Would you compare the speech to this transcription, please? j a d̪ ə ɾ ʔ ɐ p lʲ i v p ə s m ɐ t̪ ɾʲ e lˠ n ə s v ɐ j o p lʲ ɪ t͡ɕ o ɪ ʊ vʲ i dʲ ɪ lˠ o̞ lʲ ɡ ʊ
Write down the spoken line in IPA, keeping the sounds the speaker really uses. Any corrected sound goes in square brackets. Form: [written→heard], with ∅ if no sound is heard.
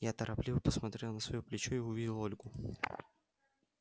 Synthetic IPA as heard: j a [d̪→t̪] ə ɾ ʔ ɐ p lʲ i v p ə s m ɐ t̪ ɾʲ e lˠ n ə s v ɐ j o p lʲ ɪ t͡ɕ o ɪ ʊ vʲ i dʲ ɪ lˠ o̞ lʲ ɡ ʊ